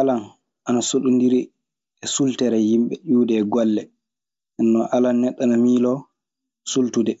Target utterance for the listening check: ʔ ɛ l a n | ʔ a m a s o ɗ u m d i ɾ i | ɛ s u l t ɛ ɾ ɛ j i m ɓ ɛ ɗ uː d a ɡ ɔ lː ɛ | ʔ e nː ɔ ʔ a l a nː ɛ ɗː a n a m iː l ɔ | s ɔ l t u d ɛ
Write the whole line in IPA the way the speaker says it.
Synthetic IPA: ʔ a l a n | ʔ a n a s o ɗ u n d i ɾ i | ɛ s u l t ɛ ɾ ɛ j i m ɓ ɛ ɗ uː d ɛ ɡ ɔ lː ɛ | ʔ ɛ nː ɔ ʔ a l a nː ɛ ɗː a n a m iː l ɔ | s u l t u d ɛ